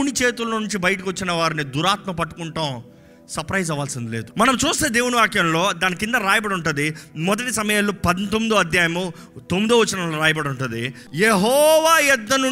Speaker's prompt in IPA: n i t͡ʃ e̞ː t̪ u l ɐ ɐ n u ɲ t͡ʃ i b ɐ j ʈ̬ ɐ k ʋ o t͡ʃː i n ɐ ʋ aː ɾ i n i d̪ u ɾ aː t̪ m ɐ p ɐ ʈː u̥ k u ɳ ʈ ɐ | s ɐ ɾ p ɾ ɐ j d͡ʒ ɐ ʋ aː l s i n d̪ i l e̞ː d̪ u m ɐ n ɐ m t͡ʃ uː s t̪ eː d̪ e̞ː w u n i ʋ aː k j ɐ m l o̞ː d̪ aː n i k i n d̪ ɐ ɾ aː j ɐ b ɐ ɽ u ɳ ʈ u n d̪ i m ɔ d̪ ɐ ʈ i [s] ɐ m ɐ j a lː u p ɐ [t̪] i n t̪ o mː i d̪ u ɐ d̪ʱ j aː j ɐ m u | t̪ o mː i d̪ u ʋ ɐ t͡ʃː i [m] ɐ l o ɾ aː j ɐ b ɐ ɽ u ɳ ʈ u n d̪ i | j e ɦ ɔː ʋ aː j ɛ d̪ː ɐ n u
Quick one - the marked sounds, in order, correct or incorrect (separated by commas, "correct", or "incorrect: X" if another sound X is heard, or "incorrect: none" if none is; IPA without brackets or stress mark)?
correct, incorrect: d̪, incorrect: n